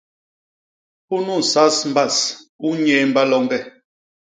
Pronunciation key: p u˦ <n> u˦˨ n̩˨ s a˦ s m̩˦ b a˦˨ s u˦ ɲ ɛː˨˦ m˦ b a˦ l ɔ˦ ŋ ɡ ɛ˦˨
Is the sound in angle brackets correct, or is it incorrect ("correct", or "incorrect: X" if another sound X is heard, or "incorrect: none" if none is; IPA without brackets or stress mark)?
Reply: correct